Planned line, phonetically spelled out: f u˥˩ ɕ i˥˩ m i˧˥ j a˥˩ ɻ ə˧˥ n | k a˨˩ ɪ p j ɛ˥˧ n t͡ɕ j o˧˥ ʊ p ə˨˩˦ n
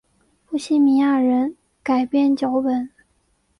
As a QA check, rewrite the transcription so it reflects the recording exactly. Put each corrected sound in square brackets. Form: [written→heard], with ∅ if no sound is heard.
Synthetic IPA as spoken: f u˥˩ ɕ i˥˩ m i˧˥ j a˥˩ ɻ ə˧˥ n | k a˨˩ ɪ p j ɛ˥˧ n t͡ɕ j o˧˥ ʊ p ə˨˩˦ n

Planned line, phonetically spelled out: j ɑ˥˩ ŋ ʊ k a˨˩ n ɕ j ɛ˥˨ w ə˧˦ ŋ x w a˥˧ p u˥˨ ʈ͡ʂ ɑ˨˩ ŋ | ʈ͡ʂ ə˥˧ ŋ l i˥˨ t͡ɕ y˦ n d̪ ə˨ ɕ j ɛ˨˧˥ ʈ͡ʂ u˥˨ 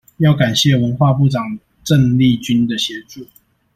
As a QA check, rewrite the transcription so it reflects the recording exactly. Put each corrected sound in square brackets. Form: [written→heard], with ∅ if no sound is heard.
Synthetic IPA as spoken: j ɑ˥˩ [ŋ→∅] ʊ k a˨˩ n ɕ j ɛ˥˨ w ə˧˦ [ŋ→n] x w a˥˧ p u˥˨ ʈ͡ʂ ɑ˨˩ ŋ | ʈ͡ʂ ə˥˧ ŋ l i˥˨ t͡ɕ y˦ n d̪ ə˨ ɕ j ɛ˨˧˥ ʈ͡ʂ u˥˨

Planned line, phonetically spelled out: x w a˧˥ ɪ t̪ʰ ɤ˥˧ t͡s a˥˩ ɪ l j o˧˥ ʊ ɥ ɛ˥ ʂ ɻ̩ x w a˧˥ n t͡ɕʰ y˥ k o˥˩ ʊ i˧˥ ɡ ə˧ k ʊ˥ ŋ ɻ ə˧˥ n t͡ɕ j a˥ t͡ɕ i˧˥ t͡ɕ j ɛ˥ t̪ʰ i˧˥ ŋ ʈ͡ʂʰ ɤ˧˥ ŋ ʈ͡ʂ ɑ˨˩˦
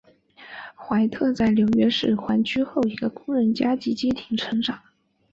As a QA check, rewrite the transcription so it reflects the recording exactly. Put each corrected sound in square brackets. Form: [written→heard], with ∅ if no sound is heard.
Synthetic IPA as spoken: x w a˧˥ ɪ t̪ʰ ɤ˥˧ t͡s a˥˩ ɪ l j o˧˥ ʊ ɥ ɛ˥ ʂ ɻ̩ x w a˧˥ n t͡ɕʰ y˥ [k→x] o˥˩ ʊ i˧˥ ɡ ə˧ k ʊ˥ ŋ ɻ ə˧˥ n t͡ɕ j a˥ t͡ɕ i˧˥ t͡ɕ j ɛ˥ t̪ʰ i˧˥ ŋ ʈ͡ʂʰ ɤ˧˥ ŋ ʈ͡ʂ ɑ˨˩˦

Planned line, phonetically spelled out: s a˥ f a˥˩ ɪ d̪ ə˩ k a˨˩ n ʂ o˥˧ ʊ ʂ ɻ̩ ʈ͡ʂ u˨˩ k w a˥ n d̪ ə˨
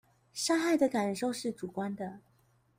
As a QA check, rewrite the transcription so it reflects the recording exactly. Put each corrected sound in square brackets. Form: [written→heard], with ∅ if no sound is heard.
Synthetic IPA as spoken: [s→ʂ] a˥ [f→x] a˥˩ ɪ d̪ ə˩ k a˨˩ n ʂ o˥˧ ʊ ʂ ɻ̩ ʈ͡ʂ u˨˩ k w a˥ n d̪ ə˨

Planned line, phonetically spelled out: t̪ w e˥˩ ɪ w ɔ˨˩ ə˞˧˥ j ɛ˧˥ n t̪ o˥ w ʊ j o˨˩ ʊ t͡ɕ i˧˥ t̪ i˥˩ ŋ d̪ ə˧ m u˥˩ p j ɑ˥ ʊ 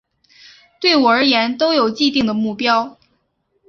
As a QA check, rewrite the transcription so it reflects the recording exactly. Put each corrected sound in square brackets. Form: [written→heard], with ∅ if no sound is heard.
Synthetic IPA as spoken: t̪ w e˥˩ ɪ w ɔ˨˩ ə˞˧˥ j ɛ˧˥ n t̪ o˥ [w→∅] ʊ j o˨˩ ʊ t͡ɕ [i˧˥→i˥˧] t̪ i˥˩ ŋ d̪ [ə˧→ə˩] m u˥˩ p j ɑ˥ ʊ

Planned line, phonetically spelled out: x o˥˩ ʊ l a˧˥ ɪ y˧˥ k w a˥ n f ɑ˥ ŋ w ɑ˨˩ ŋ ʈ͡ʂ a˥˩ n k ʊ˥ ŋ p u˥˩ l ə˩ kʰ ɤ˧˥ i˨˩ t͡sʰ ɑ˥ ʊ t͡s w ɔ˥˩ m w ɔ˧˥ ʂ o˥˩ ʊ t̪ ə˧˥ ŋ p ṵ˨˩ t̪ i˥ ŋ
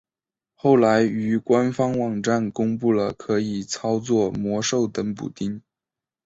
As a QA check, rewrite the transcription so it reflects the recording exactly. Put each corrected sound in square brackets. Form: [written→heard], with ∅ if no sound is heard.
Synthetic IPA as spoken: x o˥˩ ʊ l a˧˥ ɪ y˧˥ k w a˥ n f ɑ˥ ŋ w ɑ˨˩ ŋ ʈ͡ʂ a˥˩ n k ʊ˥ ŋ p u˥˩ l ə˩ kʰ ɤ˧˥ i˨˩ t͡sʰ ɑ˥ ʊ t͡s w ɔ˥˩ m w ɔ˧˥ ʂ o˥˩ ʊ t̪ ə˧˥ ŋ p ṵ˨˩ t̪ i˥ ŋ

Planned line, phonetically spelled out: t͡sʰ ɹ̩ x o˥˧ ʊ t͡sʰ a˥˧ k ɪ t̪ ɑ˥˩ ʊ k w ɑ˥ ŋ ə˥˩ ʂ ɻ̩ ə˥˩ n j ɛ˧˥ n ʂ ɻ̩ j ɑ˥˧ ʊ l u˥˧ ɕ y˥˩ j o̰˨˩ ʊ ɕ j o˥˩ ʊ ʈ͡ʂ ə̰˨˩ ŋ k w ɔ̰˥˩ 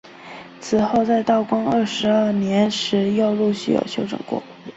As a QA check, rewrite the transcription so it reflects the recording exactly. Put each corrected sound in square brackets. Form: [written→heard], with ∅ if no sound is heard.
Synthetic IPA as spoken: t͡sʰ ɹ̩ x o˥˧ ʊ [t͡sʰ→t͡s] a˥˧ [k→∅] ɪ t̪ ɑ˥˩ ʊ k w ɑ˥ ŋ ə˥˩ ʂ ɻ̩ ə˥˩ n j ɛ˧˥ n ʂ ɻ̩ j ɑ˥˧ ʊ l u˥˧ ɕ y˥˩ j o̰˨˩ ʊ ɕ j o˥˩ ʊ ʈ͡ʂ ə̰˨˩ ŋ k w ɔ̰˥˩

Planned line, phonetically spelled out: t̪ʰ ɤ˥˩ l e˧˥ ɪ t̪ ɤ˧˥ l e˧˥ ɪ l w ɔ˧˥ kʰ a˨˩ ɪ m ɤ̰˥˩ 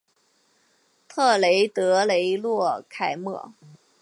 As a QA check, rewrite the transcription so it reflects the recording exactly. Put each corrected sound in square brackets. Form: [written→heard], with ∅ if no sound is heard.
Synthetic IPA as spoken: t̪ʰ ɤ˥˩ l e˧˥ ɪ t̪ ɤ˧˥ l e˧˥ ɪ l w [ɔ˧˥→ɔ˥˩] kʰ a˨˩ ɪ m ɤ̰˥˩

